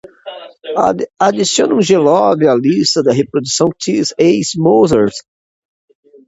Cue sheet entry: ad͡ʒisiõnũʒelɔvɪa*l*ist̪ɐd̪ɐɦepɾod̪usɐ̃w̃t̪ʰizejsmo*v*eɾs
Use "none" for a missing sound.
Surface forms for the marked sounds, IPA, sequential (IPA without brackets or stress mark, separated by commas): l, z